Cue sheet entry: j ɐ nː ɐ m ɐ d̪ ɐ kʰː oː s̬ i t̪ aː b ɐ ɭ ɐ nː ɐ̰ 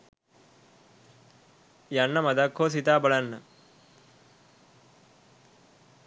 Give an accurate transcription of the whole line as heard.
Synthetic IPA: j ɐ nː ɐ m ɐ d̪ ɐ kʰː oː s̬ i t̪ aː b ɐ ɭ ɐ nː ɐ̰